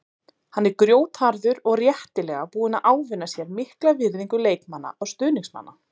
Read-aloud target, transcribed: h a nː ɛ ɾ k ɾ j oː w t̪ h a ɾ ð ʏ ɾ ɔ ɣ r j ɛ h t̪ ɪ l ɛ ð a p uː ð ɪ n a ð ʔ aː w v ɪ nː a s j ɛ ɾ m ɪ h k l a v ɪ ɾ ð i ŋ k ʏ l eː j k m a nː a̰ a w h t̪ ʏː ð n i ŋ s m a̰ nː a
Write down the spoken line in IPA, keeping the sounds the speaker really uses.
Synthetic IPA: h a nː ɛ ɾ k ɾ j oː w t̪ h a ɾ ð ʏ ɾ ɔ ɣ r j ɛ h t̪ ɪ l ɛ ɣ a p uː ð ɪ n a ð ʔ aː w v ɪ nː a s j ɛ ɾ m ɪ h k l a v ɪ ɾ ð i ŋ k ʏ l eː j k m a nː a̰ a w s t̪ ʏː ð n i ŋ s m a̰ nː a